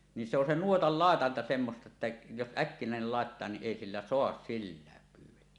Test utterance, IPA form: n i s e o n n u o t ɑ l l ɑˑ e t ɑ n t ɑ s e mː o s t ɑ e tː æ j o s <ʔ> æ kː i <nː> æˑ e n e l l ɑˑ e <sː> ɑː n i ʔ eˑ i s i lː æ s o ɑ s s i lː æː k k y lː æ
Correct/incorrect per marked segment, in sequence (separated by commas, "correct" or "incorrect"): correct, incorrect, incorrect